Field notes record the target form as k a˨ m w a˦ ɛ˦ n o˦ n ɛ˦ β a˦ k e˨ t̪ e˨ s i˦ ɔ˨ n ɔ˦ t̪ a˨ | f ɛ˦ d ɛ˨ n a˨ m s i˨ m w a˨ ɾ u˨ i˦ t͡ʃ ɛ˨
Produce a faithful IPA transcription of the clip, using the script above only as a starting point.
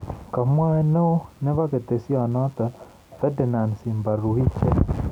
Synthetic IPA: k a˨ m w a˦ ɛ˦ n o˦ n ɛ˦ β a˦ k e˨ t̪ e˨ s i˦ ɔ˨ n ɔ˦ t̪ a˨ | f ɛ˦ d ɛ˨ n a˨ n s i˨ m b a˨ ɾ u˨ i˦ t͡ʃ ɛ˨

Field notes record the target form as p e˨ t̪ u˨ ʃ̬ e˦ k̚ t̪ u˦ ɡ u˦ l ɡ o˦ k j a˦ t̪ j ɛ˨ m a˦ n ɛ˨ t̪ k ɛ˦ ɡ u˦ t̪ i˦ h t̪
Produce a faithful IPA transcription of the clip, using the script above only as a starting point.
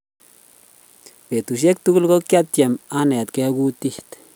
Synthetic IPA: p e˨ t̪ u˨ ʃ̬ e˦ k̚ t̪ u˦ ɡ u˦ l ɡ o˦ k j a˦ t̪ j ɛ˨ m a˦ n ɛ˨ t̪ k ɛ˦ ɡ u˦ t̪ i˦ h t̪

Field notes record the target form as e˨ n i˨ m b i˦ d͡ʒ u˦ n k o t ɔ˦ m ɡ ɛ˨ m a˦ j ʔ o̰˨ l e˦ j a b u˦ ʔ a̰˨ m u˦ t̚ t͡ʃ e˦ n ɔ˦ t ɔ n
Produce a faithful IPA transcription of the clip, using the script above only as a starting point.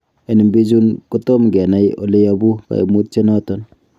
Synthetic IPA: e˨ n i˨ m b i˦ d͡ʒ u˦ n k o t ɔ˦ m ɡ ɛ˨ n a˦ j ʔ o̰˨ l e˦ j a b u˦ k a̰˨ m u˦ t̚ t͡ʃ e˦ n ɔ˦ t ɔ n

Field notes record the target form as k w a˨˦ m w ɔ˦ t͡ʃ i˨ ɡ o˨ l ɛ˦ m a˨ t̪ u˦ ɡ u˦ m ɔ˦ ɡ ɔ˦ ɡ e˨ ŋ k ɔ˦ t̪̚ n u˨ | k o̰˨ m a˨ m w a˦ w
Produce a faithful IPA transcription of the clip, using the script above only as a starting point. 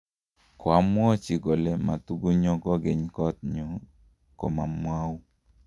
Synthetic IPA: k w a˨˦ m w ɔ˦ t͡ʃ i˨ ɡ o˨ l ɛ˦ m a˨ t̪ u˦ ɡ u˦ ɲ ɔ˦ ɡ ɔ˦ ɡ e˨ ɲ k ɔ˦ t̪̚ ɲ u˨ | k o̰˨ m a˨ m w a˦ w

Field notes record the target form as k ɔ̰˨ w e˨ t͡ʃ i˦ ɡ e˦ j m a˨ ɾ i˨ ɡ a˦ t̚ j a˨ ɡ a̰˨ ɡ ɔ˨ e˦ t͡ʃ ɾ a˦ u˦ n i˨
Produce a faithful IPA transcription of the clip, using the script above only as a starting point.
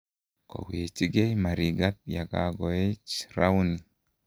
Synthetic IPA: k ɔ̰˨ w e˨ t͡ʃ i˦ ɡ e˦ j m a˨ ɾ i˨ ɡ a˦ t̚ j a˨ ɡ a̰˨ ɡ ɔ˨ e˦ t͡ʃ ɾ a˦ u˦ n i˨

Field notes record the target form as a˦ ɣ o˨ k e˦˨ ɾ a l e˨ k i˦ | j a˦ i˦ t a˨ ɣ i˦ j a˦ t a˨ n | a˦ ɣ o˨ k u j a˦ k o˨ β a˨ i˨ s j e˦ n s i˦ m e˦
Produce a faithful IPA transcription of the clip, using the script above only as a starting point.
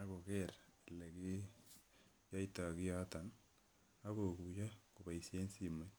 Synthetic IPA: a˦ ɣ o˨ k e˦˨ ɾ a l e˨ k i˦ | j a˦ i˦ t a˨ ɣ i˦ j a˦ t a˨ n | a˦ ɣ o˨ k u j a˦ k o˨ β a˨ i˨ s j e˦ n s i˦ m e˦

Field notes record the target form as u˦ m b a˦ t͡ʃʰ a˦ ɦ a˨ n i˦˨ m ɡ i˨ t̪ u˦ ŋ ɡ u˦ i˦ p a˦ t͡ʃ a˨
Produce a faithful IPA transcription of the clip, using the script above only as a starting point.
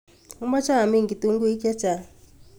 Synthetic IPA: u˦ m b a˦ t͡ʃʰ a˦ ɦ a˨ m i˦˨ ŋ ɡ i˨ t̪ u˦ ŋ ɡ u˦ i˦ k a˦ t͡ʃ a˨

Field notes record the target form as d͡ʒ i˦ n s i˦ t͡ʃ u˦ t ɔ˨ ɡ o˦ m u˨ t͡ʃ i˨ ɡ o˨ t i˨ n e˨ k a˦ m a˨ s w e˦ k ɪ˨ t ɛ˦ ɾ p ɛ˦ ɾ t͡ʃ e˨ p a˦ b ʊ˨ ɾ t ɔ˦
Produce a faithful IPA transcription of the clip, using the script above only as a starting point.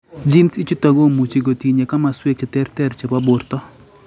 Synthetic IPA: d͡ʒ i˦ n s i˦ t͡ʃ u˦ t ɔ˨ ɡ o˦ m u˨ t͡ʃ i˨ ɡ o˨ t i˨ ɲ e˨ k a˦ m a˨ s w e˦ k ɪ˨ t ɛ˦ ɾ t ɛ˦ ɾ t͡ʃ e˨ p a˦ b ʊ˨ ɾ t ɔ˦

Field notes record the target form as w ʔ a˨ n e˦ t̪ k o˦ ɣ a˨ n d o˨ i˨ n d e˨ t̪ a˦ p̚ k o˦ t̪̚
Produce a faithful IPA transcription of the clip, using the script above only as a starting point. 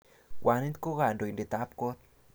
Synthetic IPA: w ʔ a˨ n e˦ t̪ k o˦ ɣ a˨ n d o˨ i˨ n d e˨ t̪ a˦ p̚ k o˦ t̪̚

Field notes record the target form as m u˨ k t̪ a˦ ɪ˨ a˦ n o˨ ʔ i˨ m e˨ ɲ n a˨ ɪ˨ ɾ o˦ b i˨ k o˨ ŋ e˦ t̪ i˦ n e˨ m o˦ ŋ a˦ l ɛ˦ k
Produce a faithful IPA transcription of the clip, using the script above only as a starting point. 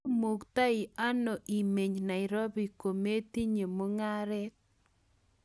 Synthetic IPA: m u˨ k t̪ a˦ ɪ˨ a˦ n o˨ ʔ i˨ m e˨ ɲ n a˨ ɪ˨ ɾ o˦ b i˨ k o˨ m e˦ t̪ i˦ ɲ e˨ m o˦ ŋ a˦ ɾ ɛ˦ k

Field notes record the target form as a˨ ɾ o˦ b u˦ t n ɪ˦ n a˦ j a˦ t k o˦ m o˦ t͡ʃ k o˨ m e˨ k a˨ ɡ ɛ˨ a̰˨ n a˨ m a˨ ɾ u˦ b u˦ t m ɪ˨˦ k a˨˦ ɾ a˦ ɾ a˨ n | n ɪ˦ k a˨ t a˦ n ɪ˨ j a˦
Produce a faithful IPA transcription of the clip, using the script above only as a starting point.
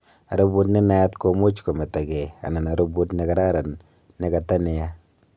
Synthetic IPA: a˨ ɾ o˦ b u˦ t n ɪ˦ n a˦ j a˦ t k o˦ m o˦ t͡ʃ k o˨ m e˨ t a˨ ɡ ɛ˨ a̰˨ n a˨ n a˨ ɾ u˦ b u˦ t n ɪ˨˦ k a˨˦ ɾ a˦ ɾ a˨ n | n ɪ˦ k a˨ t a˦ n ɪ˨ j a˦

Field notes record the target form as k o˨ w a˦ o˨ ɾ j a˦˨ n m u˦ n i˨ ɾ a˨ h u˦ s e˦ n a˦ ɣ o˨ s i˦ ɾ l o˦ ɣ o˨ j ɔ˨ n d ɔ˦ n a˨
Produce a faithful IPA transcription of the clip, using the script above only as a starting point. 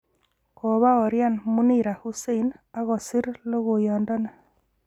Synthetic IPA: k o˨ β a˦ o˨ ɾ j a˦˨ n m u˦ n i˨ ɾ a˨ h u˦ s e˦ n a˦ ɣ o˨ s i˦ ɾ l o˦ ɣ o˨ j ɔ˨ n d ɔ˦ n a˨

